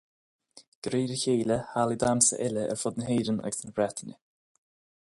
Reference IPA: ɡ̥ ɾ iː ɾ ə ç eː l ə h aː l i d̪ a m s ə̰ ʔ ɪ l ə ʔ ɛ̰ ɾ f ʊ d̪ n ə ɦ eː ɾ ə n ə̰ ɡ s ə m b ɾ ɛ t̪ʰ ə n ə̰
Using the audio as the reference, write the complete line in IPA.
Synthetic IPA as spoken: ɡ̥ ɾ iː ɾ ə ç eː l ə h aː l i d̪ a m s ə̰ ʔ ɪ l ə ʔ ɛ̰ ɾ f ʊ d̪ n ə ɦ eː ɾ ə n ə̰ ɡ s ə n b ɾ ɛ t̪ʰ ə n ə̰